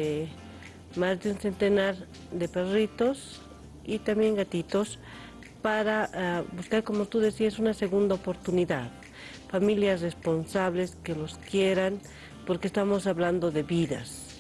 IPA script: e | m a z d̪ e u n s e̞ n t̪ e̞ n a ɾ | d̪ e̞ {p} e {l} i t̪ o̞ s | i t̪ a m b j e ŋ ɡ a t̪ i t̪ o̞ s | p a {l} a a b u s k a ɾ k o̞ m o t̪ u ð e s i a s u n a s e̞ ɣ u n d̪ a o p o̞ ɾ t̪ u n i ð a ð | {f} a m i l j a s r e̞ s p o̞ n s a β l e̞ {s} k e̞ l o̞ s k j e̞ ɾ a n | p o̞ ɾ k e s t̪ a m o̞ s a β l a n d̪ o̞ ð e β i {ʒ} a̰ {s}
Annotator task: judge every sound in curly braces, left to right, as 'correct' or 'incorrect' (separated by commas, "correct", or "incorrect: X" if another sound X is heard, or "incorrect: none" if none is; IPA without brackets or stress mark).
correct, incorrect: r, incorrect: ɾ, correct, correct, incorrect: ð, correct